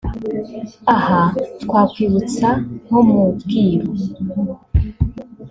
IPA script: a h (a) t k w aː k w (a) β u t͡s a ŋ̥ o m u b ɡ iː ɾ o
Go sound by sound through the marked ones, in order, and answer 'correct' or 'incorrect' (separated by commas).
correct, incorrect